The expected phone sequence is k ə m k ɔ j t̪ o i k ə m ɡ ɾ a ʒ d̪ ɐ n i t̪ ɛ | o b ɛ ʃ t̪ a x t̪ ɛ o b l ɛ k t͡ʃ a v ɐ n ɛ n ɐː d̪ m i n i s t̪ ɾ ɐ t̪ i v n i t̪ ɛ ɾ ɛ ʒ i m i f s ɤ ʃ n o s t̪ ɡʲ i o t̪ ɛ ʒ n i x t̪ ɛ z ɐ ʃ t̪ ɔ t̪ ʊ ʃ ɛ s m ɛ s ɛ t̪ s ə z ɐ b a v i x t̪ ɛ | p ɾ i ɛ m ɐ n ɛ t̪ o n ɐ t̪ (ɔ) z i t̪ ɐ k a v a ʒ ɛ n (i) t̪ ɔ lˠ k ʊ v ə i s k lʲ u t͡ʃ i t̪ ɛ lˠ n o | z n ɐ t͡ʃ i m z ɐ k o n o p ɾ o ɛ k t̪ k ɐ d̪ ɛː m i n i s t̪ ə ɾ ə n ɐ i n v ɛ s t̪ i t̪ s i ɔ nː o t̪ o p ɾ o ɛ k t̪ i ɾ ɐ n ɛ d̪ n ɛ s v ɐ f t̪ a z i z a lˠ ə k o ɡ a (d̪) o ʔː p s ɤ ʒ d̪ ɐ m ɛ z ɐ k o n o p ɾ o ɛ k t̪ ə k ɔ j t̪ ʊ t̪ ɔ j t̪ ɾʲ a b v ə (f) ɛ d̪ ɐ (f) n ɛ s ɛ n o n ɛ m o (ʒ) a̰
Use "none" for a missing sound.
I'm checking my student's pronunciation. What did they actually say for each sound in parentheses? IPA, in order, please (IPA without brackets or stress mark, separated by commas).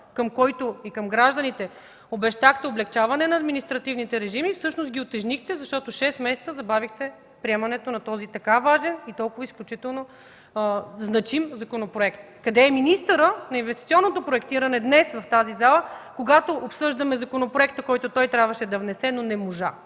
ɔ, i, t̪, ʃ, v, ʒ